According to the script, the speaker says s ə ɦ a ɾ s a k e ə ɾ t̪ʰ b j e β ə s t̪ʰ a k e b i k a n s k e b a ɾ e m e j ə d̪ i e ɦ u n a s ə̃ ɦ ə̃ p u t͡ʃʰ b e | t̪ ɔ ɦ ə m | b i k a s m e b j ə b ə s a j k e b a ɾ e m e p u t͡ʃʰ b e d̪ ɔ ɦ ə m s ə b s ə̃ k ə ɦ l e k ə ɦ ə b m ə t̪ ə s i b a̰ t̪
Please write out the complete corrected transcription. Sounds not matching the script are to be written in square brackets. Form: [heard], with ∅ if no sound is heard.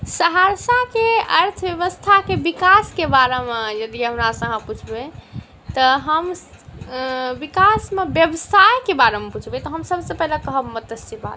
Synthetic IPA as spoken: s ə ɦ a ɾ s a k e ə ɾ t̪ʰ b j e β ə s t̪ʰ a k e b i k a [∅] s k e b a ɾ e m e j ə d̪ i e ɦ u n a s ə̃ ɦ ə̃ p u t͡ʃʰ b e | t̪ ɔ ɦ ə m | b i k a s m e b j ə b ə s a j k e b a ɾ e m e p u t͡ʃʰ b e [t̪] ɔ ɦ ə m s ə b s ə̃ [p] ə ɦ l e k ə ɦ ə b m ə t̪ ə s i b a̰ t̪

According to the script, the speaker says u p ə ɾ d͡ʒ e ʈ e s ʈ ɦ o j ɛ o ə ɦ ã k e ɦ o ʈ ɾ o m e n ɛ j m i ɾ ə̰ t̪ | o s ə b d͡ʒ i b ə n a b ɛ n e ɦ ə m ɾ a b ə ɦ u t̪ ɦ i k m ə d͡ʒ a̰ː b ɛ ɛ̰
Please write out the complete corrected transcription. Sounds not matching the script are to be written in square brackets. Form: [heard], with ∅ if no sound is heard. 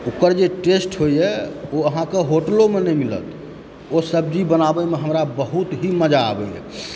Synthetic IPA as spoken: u [k] ə ɾ d͡ʒ e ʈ e s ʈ ɦ o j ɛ o ə ɦ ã k e ɦ o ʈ [l] o m e n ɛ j m i [l] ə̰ t̪ | o s ə b d͡ʒ i b ə n a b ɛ [m] e ɦ ə m ɾ a b ə ɦ u t̪ ɦ i [∅] m ə d͡ʒ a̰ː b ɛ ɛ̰

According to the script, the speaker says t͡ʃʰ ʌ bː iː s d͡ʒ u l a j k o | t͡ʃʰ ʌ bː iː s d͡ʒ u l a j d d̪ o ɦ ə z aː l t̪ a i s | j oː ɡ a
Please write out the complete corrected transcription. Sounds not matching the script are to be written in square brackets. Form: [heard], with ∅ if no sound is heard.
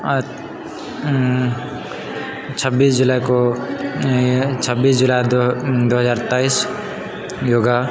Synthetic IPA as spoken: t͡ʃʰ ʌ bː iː s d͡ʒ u l a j k o | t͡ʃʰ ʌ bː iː s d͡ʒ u l a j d d̪ o ɦ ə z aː [ɾ] t̪ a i s | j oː ɡ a

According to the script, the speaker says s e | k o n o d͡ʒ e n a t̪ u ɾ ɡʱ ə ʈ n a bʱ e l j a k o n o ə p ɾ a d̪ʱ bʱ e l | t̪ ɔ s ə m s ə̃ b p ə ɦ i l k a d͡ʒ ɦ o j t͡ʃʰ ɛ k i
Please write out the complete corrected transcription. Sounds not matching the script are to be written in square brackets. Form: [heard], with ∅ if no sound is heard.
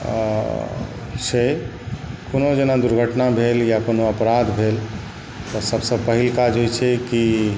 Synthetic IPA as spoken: s e | k o n o d͡ʒ e n a [d̪] u ɾ ɡʱ ə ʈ n a bʱ e l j a k o n o ə p ɾ a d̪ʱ bʱ e l | t̪ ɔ s ə [b] s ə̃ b p ə ɦ i l k a d͡ʒ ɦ o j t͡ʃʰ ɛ k i

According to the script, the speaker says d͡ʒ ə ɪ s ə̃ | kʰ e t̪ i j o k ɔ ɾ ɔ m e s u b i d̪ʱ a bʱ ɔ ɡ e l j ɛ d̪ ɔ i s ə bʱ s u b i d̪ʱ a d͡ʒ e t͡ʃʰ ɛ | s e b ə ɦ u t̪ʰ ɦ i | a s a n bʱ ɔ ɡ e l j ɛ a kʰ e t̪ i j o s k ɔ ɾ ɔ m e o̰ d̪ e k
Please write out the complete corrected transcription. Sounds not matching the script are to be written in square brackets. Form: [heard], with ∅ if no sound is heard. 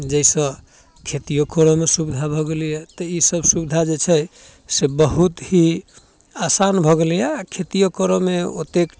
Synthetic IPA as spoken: d͡ʒ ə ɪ s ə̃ | kʰ e t̪ i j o k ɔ ɾ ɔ m e s u b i d̪ʱ a bʱ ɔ ɡ e l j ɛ [t̪] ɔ i s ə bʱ s u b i d̪ʱ a d͡ʒ e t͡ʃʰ ɛ | s e b ə ɦ u [t̪] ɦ i | a s a n bʱ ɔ ɡ e l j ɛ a kʰ e t̪ i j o [∅] k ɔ ɾ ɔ m e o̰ [t̪] e k

